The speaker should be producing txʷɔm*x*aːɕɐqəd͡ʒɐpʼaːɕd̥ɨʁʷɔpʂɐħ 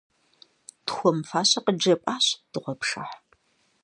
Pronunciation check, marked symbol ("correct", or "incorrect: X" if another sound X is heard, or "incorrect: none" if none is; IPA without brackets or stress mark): incorrect: f